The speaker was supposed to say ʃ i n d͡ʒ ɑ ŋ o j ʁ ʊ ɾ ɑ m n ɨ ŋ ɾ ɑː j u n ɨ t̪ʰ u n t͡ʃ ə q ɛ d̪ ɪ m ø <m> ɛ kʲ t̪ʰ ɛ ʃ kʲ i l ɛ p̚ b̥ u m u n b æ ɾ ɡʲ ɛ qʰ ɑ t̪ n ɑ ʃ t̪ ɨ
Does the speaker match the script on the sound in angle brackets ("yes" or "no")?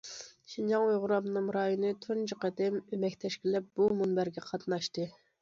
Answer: yes